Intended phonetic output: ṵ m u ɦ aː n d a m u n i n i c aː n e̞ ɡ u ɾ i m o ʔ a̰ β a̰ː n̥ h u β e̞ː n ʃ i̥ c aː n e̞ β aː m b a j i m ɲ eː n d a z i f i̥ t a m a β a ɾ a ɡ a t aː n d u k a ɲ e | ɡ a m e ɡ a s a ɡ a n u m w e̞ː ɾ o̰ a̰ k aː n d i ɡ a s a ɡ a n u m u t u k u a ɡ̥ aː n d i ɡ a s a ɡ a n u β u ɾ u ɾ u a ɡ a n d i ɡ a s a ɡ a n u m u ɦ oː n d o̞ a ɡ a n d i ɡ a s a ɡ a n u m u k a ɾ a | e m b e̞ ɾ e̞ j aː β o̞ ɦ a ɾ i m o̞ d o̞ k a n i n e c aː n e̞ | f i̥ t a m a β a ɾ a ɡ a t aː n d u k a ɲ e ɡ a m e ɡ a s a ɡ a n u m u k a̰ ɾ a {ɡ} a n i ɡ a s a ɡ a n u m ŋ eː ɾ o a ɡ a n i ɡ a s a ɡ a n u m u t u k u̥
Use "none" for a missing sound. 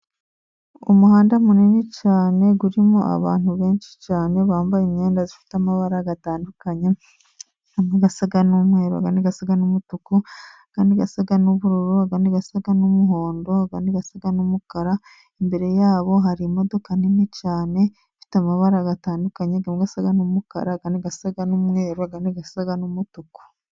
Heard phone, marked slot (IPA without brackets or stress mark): ɡ